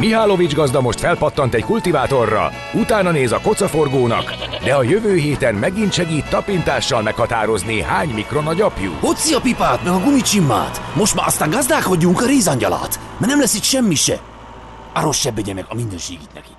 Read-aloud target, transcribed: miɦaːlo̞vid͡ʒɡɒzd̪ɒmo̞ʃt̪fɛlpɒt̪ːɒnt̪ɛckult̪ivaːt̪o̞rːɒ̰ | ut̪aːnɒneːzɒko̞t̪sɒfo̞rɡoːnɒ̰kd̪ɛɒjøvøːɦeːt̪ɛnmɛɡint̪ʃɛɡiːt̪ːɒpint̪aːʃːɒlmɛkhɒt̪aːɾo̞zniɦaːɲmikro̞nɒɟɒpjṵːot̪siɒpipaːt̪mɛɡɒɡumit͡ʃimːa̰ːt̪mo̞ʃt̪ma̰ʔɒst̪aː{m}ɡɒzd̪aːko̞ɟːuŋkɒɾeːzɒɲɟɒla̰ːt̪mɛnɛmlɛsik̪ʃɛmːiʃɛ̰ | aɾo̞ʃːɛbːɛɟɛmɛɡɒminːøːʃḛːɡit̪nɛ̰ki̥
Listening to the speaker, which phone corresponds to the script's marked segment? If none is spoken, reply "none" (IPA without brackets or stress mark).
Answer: ŋ